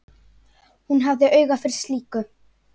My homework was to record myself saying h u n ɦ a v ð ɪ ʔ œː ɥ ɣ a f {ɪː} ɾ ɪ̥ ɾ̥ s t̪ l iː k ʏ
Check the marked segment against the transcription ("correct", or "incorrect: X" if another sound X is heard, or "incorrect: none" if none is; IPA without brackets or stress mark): incorrect: ɪ